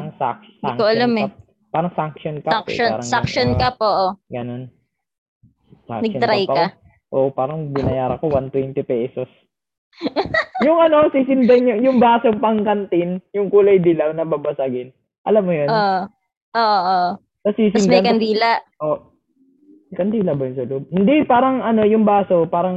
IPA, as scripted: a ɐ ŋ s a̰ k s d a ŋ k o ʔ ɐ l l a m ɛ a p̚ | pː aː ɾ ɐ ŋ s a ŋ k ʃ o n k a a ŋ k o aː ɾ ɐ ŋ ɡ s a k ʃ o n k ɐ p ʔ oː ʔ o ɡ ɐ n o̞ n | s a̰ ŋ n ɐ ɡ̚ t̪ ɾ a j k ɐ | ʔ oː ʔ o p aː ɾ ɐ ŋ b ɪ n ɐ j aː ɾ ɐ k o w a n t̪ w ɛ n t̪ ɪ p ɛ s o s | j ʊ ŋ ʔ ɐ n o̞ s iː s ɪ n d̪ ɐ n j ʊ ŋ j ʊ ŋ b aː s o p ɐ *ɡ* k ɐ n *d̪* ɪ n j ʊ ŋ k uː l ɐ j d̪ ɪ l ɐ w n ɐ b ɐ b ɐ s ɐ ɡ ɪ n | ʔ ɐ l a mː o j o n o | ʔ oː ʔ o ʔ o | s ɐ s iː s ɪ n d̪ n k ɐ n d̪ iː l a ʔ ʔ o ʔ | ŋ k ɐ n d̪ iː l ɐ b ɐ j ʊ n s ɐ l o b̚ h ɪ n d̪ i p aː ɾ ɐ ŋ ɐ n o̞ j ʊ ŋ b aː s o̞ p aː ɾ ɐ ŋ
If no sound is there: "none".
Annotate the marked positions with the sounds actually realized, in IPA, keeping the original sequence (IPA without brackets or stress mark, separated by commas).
ŋ, t̪